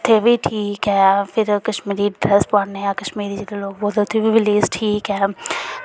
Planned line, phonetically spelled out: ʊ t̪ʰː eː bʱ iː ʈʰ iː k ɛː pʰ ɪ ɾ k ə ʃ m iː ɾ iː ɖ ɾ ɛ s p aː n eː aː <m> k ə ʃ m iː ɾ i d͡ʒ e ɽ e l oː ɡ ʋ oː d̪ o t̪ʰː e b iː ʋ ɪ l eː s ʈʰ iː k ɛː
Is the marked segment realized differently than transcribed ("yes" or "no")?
yes